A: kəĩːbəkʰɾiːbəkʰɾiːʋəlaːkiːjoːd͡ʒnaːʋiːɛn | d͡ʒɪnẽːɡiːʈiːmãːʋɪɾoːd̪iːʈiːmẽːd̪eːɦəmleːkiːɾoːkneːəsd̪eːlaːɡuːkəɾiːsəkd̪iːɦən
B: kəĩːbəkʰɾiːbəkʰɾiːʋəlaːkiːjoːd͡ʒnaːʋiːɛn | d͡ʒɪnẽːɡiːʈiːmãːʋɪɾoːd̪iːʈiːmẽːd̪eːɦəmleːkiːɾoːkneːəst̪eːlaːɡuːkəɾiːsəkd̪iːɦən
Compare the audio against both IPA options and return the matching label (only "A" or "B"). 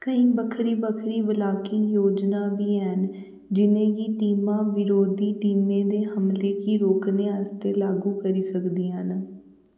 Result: B